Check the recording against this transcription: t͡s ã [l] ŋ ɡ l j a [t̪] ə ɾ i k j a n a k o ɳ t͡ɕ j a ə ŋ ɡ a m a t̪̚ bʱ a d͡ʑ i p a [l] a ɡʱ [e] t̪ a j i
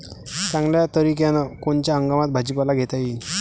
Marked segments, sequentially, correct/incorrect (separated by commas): incorrect, correct, correct, correct